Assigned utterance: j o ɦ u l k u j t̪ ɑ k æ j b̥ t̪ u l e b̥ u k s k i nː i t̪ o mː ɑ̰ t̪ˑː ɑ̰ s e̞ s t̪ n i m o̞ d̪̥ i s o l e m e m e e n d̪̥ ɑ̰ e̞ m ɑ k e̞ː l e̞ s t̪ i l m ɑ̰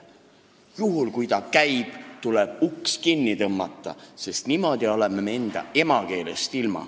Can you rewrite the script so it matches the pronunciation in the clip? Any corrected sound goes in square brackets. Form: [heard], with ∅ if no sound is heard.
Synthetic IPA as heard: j [u] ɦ u l k u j t̪ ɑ k æ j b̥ t̪ u l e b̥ u k s k i nː i t̪ [ɤ] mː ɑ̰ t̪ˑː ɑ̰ s e̞ s t̪ n i m o̞ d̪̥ i [∅] o l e m e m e e n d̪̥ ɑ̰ e̞ m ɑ k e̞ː l e̞ s t̪ i l m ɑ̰